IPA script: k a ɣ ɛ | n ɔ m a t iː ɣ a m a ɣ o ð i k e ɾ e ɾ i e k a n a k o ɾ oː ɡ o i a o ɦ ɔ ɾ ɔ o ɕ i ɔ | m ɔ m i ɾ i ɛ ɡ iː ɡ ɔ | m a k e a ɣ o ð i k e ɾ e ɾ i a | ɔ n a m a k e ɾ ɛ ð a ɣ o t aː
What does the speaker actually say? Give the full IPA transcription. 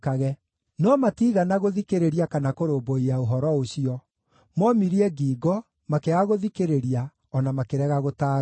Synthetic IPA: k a ɣ ɛ | n ɔ m a t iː ɣ a n a ɣ o ð i k e ɾ e ɾ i a k a n a k o ɾ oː b o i a o ɦ ɔ ɾ ɔ o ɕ i ɔ | m ɔ m i ɾ i ɛ ɡ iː ɡ ɔ | m a k e a ɣ o ð i k e ɾ e ɾ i a | ɔ n a m a k e ɾ ɛ ɣ a ɣ o t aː